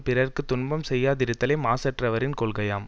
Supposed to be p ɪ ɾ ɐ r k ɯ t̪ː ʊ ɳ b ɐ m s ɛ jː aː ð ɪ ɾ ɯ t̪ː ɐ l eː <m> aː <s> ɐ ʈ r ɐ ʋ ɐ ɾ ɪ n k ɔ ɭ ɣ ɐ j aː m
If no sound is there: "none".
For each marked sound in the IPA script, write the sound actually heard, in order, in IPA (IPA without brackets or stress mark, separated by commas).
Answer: m, s